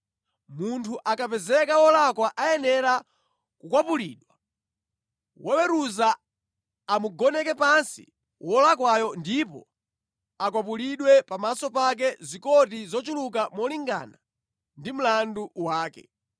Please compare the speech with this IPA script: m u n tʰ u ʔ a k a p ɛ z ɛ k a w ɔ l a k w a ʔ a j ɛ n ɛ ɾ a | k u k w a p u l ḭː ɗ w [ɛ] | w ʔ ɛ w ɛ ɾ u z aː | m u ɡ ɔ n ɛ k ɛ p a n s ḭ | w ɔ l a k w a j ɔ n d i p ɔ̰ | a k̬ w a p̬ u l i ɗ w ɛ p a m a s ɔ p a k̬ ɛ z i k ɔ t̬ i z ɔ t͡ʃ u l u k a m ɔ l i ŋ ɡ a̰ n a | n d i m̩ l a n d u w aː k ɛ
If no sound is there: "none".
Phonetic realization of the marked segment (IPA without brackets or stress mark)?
a